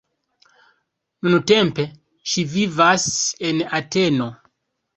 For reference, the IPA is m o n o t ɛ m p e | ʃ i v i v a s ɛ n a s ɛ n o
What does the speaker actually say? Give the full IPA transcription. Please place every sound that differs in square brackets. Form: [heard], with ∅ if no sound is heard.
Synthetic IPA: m [u] n [u] t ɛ m p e | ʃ i v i v a s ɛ n a [t] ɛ n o